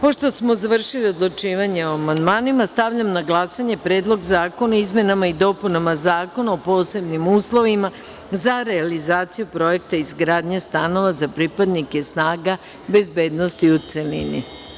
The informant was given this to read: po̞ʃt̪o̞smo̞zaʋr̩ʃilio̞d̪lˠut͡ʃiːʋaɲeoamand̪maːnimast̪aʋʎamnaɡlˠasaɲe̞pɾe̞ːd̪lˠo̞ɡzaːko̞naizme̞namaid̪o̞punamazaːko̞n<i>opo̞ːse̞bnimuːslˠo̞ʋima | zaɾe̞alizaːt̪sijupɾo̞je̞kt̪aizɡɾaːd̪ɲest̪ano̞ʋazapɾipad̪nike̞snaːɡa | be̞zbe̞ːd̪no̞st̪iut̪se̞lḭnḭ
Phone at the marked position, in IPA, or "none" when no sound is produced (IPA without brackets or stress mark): a